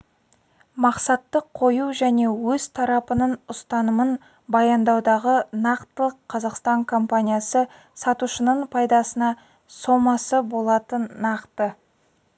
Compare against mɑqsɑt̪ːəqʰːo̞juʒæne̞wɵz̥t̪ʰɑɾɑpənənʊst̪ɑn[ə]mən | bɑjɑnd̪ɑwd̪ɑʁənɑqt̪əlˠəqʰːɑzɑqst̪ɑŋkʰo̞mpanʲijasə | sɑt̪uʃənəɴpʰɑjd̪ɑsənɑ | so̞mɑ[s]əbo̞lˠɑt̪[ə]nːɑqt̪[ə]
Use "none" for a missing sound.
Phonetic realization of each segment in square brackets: ə, s, ə, ə

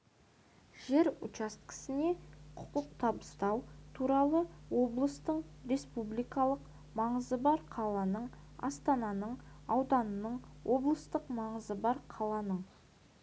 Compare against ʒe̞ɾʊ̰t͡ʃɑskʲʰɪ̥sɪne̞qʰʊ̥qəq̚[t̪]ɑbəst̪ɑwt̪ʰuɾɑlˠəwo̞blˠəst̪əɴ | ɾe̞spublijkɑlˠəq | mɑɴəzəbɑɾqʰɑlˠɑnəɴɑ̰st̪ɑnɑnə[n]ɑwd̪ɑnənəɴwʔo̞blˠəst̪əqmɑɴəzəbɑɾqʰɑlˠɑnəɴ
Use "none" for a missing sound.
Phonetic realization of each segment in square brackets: t̪ʰ, ɴ

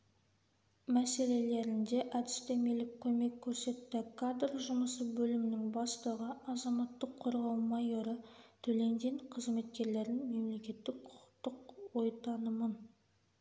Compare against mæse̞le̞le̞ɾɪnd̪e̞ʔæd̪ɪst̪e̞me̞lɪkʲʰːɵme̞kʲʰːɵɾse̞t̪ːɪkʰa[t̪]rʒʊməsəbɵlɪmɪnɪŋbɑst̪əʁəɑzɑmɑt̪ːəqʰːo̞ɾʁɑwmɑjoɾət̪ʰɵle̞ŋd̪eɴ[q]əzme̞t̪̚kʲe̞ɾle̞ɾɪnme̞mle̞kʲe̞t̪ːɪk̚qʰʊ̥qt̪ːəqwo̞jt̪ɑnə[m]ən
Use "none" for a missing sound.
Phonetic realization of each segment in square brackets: d̪, qʰ, m

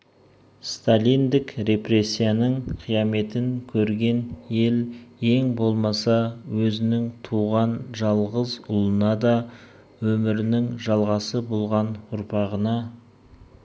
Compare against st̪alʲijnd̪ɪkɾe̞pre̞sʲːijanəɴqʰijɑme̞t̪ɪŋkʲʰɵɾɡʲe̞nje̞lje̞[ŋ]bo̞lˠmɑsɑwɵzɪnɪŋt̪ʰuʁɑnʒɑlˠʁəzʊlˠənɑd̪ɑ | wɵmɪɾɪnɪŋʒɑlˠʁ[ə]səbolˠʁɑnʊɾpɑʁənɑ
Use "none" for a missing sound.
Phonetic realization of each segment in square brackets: ŋ, ɑ

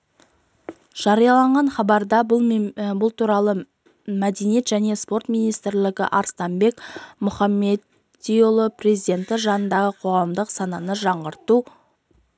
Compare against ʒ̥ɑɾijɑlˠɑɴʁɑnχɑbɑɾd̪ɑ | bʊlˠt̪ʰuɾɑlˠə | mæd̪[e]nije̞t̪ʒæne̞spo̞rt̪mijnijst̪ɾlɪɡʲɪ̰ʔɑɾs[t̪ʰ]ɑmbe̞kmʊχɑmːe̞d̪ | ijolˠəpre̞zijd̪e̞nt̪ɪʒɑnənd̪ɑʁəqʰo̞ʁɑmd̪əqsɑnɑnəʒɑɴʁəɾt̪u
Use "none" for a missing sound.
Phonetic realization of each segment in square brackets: e, t̪

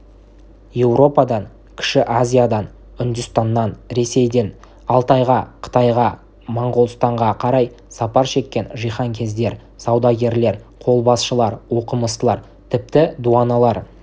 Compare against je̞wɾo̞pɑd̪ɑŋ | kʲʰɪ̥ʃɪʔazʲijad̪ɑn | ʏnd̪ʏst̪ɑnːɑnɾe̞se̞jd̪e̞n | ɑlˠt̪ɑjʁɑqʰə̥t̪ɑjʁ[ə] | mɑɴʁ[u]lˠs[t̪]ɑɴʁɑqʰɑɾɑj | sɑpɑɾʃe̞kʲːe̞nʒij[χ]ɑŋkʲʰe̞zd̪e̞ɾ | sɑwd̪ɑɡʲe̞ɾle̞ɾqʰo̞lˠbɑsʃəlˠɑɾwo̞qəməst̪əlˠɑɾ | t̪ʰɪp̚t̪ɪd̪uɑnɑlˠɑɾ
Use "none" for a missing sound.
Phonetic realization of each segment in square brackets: ɑ, o, t̪, χ

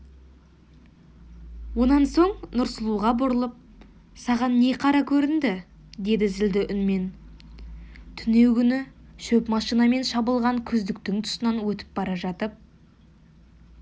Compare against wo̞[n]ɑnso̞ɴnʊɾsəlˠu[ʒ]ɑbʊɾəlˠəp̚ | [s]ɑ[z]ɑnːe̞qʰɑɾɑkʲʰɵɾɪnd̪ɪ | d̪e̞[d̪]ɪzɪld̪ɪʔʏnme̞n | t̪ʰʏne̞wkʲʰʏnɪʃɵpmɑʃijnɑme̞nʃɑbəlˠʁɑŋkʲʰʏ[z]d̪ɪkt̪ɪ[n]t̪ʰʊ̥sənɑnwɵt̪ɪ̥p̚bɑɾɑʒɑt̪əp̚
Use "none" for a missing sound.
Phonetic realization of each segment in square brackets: n, ʁ, s, ʁ, d̪, z, ŋ

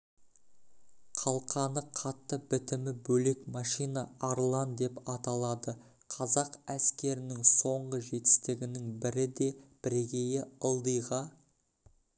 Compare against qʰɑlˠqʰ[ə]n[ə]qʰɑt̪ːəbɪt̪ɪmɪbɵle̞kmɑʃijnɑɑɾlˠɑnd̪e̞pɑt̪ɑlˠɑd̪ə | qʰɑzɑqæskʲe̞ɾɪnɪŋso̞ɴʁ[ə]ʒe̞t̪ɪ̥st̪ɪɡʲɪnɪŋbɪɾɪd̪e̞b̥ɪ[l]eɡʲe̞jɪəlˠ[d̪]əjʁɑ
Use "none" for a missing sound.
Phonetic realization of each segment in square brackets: ɑ, ə, ə, ɾ, d̪

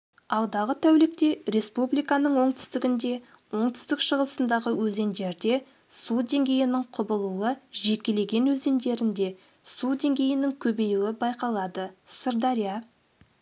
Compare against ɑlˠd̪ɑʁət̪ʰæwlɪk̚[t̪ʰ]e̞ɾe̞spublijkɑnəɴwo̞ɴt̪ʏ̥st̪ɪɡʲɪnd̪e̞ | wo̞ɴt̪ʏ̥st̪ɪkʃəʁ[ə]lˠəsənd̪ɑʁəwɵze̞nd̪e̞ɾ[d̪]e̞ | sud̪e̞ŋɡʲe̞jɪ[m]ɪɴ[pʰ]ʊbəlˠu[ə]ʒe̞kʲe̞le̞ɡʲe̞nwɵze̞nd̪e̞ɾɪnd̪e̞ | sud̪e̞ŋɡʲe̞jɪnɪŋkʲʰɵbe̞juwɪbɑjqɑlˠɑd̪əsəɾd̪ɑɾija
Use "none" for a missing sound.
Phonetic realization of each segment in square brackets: t̪, ə, d̪, n, qʰ, ə

